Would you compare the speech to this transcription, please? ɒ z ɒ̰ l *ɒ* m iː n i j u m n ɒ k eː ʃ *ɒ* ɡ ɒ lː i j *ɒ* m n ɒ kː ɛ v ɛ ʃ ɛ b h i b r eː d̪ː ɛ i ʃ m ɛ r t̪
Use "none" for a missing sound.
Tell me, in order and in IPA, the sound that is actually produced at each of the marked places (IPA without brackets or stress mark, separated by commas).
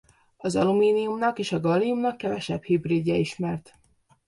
u, ɒ, u